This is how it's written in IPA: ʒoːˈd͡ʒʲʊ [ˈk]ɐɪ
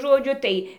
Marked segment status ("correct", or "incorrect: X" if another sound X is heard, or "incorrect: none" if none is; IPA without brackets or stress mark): incorrect: t